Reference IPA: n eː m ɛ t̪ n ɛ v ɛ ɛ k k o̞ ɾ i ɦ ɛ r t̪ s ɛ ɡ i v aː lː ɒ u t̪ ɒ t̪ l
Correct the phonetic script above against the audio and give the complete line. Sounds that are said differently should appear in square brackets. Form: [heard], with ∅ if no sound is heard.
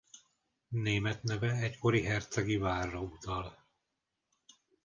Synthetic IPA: n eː m ɛ t̪ n ɛ v ɛ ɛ [c] k o̞ ɾ i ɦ ɛ r t̪ s ɛ ɡ i v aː [rː] ɒ u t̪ ɒ [∅] l